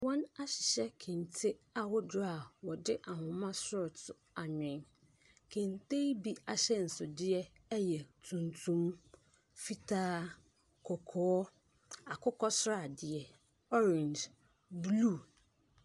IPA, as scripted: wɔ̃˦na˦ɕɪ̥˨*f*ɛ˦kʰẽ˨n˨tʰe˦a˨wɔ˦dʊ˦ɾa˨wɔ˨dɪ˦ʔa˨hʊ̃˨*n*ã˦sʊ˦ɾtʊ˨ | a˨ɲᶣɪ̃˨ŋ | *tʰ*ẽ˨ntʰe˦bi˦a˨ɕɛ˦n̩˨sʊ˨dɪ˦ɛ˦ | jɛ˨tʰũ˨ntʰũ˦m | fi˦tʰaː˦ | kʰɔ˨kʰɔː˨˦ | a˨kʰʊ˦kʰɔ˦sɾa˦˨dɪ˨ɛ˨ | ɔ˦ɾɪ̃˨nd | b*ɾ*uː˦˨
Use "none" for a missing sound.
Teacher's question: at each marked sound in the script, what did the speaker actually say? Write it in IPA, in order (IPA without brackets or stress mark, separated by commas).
ɕ, m, kʰ, l